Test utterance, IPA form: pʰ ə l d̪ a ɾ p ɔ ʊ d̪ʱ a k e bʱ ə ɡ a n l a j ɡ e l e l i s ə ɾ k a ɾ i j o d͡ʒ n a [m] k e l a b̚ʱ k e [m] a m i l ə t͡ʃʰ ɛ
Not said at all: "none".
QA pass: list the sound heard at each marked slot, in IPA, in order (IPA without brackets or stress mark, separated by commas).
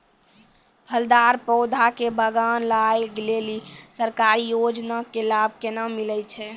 none, n